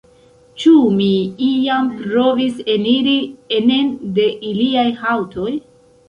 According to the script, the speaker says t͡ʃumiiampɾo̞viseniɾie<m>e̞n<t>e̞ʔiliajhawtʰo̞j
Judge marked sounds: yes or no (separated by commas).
no, no